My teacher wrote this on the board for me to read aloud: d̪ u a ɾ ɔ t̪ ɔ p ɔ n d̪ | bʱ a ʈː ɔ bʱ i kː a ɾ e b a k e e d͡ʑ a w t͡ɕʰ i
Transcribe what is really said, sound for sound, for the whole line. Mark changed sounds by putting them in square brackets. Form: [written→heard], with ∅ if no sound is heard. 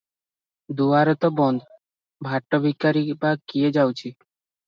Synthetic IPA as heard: d̪ u a ɾ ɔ t̪ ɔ [p→b] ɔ n d̪ | bʱ a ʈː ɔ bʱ i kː a ɾ [e→i] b a k [e→i] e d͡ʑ a w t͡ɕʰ i